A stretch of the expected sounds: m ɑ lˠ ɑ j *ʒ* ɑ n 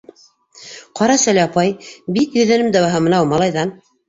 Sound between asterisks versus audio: incorrect: ð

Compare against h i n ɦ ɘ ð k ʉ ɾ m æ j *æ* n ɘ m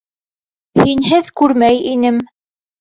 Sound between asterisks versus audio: incorrect: i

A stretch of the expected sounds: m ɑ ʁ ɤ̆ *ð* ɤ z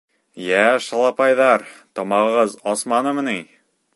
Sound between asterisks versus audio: incorrect: ʁ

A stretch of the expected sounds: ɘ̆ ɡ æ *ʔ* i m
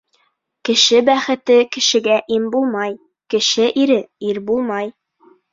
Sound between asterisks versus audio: correct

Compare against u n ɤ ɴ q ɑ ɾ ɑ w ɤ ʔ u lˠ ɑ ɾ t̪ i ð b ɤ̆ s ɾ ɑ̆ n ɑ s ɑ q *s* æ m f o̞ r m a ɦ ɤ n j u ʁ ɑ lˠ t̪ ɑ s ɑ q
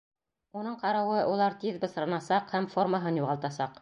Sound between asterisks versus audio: incorrect: h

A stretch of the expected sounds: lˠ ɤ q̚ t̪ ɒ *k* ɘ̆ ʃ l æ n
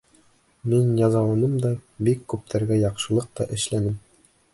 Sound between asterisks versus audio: incorrect: ʔ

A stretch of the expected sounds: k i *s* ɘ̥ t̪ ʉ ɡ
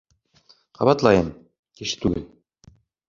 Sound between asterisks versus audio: incorrect: ʃ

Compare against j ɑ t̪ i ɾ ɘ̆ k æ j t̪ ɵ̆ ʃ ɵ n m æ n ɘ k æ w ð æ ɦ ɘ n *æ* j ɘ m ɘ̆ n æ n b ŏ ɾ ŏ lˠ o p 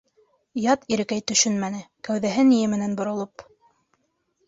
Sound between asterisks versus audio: incorrect: i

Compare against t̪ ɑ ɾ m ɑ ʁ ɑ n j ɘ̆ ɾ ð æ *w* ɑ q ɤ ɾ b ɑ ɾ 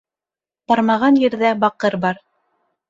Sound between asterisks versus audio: incorrect: b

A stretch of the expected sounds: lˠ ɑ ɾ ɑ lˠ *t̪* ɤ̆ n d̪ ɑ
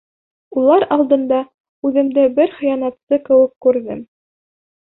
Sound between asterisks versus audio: incorrect: d̪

